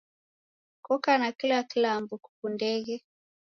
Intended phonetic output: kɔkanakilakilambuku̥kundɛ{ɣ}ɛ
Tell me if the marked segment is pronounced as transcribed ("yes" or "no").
yes